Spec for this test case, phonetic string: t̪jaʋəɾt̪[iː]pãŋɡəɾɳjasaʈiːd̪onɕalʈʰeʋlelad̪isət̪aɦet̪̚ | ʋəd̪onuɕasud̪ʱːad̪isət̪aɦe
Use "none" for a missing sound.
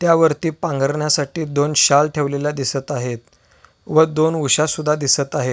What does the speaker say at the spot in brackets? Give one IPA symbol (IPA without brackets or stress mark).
iː